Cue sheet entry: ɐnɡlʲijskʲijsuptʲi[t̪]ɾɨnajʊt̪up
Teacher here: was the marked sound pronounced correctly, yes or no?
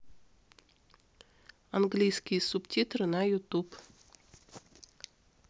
yes